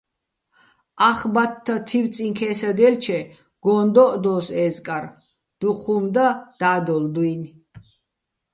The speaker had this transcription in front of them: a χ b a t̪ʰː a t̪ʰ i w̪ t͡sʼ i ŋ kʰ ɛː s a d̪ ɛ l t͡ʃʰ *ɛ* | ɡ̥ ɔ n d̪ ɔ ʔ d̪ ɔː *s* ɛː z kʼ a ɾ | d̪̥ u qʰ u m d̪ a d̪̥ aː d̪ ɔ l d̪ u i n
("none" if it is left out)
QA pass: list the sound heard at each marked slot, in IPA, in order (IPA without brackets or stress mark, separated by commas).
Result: ɛ, s